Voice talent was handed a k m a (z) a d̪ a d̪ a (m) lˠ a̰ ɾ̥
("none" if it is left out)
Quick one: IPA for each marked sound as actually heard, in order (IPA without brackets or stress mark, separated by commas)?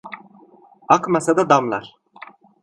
s, m